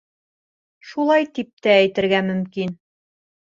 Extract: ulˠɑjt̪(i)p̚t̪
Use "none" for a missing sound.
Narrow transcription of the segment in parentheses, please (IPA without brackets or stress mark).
i